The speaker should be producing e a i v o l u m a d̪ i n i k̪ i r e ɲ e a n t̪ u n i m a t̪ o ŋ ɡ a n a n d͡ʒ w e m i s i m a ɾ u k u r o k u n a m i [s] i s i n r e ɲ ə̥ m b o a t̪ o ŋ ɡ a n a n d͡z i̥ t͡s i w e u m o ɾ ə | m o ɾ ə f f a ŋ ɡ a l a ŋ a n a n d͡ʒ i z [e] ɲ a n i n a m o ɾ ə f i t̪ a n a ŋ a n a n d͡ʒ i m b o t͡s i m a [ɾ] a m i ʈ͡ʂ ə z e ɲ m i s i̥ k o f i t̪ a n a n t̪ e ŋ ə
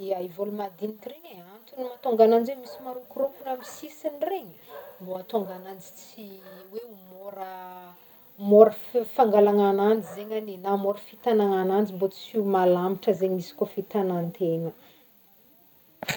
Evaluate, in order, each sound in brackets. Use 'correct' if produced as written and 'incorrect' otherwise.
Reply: correct, correct, incorrect

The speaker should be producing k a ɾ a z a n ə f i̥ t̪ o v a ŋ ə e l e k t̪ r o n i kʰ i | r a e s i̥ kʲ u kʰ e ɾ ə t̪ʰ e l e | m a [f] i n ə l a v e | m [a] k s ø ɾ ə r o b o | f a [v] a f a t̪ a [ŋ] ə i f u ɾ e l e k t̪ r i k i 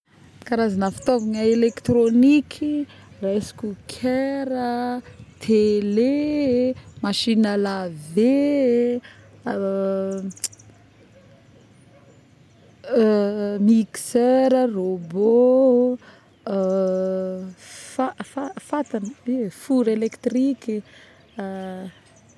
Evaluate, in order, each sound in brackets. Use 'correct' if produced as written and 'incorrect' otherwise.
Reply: incorrect, incorrect, incorrect, incorrect

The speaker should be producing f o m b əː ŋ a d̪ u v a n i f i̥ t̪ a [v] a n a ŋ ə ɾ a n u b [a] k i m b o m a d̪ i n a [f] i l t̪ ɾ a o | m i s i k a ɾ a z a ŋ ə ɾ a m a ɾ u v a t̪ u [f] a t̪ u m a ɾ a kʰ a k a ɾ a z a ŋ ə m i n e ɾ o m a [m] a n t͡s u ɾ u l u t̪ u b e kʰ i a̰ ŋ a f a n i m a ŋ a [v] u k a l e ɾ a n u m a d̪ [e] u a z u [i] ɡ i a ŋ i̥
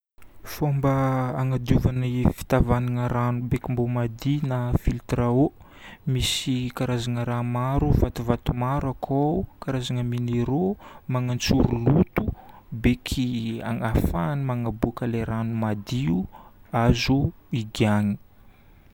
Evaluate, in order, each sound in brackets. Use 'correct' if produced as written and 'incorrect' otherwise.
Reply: correct, incorrect, correct, incorrect, incorrect, incorrect, incorrect, correct

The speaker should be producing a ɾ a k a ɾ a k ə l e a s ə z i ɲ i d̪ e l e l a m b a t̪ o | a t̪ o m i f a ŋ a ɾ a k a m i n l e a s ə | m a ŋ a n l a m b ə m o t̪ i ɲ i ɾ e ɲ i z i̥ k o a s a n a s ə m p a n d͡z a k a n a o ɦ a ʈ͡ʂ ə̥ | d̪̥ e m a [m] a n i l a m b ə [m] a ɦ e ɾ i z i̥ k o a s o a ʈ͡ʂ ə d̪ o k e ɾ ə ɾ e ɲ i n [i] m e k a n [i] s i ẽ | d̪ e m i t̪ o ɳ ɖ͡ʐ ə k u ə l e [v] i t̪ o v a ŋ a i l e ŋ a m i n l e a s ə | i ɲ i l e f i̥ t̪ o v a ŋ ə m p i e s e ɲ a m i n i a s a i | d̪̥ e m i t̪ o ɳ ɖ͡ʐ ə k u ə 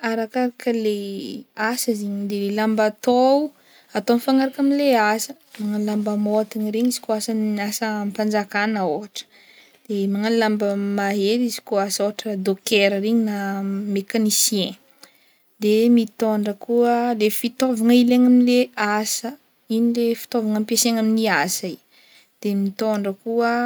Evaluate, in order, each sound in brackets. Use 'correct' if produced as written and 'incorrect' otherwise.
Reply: incorrect, correct, incorrect, correct, incorrect

